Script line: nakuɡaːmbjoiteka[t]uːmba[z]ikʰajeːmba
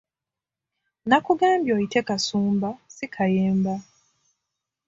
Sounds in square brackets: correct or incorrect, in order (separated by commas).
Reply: incorrect, incorrect